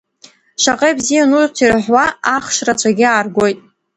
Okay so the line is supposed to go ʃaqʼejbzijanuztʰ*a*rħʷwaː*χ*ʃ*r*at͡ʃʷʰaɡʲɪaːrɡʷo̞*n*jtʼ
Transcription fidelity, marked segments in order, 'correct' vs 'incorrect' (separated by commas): incorrect, correct, correct, incorrect